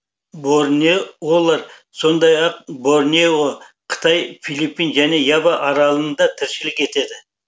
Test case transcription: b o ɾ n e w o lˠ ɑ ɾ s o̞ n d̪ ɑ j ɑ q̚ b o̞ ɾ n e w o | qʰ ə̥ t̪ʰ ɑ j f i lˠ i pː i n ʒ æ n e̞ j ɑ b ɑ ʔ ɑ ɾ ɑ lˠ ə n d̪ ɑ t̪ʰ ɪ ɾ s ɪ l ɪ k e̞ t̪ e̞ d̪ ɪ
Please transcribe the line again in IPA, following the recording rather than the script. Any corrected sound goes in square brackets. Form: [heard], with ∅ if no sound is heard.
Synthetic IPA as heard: b o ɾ n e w o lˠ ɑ ɾ s o̞ n d̪ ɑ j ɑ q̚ b o̞ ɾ n e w o | qʰ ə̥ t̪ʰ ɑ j f i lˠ i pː i n ʒ æ n e̞ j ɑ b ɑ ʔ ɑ ɾ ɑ lˠ ə n d̪ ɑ t̪ʰ ɪ ɾ [ʃ] ɪ l ɪ k e̞ t̪ e̞ d̪ ɪ

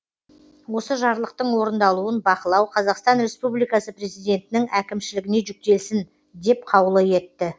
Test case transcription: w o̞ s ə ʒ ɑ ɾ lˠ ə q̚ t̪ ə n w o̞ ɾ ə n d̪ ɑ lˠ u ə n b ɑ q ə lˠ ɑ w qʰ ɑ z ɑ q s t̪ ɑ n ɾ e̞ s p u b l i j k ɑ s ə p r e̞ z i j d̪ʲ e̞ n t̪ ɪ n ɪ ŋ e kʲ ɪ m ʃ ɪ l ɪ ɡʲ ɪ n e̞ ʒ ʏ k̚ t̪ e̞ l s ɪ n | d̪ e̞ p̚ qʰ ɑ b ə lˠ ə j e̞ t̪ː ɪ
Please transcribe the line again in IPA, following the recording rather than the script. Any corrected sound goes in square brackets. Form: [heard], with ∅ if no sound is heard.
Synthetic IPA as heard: w o̞ s ə ʒ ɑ ɾ lˠ ə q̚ t̪ ə [ɴ] w o̞ ɾ ə n d̪ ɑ lˠ u ə n b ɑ q ə lˠ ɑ w qʰ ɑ z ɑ q s t̪ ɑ n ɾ e̞ s p u b l i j k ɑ s ə p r e̞ z i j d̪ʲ e̞ n t̪ ɪ n ɪ ŋ [æ] kʲ ɪ m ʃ ɪ l ɪ ɡʲ ɪ n e̞ ʒ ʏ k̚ t̪ e̞ l s ɪ n | d̪ e̞ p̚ qʰ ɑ [w] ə lˠ ə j e̞ t̪ː ɪ

